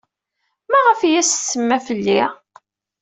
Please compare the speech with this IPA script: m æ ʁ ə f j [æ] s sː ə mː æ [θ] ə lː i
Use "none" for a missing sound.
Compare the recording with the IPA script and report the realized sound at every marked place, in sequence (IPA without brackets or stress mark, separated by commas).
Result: æ, f